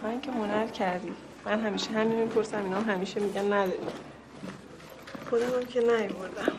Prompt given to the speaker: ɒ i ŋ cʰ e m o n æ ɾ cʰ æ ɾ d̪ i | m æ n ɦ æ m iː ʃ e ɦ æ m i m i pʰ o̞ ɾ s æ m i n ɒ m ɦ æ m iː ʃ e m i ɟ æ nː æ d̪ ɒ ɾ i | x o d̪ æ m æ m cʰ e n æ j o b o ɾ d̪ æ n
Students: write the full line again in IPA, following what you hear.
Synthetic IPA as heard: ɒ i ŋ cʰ e m o n æ ɾ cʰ æ ɾ d̪ i | m æ n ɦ æ m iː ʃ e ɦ æ m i m i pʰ o̞ ɾ s æ m i n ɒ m ɦ æ m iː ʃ e m i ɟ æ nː æ d̪ ɒ ɾ i | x o d̪ æ m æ m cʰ e n æ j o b o ɾ d̪ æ m